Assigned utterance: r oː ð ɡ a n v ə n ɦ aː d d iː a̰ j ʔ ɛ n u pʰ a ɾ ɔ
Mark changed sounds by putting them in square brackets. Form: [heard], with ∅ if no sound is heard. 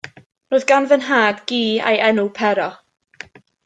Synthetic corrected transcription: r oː ð ɡ a n v ə n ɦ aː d [ɡ] iː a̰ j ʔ ɛ n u pʰ [ɛ] ɾ ɔ